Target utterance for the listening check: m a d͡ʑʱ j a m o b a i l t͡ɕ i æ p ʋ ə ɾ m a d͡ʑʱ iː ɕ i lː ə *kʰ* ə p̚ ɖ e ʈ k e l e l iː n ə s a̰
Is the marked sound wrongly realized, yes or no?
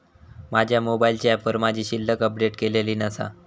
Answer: yes